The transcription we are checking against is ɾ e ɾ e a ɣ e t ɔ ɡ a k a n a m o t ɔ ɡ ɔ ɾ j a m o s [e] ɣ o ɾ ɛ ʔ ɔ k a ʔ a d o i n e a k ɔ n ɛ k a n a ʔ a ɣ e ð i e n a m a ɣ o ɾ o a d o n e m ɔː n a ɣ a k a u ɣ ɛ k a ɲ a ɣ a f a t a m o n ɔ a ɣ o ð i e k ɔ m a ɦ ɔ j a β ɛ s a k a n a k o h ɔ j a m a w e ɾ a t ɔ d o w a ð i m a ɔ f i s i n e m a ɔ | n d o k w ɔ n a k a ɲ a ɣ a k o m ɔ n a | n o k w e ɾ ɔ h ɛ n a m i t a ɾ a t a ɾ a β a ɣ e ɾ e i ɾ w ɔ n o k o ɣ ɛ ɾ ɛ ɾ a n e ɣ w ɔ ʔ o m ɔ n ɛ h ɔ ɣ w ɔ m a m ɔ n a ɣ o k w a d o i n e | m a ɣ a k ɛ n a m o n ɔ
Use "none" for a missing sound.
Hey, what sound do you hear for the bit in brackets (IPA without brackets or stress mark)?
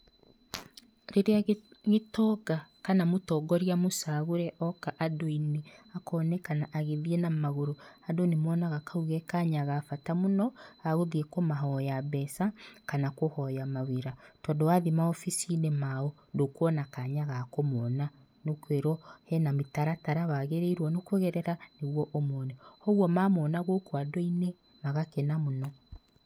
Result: a